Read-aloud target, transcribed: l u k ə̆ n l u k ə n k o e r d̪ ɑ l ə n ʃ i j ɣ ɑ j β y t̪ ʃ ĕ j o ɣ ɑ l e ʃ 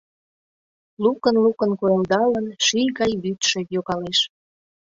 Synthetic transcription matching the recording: l u k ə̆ n l u k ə n k o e l d̪ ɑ l ə n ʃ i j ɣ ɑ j β y t̪ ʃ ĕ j o ɣ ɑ l e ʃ

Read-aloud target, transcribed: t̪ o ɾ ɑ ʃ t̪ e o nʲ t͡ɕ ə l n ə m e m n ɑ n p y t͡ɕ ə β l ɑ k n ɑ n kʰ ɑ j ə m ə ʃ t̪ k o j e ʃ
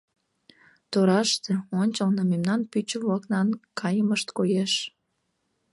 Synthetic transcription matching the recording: t̪ o ɾ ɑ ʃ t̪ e o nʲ t͡ɕ ə l n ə m e m n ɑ n p y t͡ɕ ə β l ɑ k n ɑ n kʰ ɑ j ə m ə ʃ t̪ k o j e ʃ

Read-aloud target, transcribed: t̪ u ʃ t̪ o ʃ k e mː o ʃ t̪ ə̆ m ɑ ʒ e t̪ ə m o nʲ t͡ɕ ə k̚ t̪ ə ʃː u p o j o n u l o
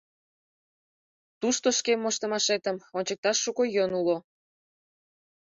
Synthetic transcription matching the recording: t̪ u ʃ t̪ o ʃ k e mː o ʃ t̪ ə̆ m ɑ ʃ e t̪ ə m o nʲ t͡ɕ ə k̚ t̪ ɑ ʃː u k o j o n u l o

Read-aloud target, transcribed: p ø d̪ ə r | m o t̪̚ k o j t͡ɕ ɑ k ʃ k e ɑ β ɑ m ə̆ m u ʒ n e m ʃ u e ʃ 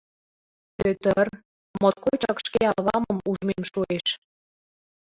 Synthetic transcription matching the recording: p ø t̪ ə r | m o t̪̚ k o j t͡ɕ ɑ k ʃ k e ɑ β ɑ m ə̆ m u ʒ m e m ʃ u e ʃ

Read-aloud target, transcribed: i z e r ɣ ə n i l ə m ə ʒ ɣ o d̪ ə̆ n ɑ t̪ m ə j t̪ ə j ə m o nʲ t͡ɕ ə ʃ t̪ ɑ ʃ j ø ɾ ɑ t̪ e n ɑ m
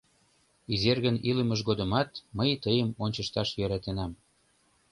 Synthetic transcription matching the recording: i z e r ɣ ə n i l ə m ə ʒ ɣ o d̪ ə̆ m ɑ t̪ m ə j t̪ ə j ə m o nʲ t͡ɕ ə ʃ t̪ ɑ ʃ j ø ɾ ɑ t̪ e n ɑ m

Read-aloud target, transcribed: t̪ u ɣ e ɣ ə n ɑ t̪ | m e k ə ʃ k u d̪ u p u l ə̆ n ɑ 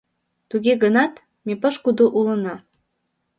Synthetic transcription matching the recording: t̪ u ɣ e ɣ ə n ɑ t̪ | m e p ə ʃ k u d̪ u ʔ u l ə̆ n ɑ

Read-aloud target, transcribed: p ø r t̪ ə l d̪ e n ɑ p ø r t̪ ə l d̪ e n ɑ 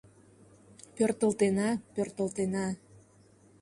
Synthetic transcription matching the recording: p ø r t̪ ə l t̪ e n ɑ p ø r t̪ ə l t̪ e n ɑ

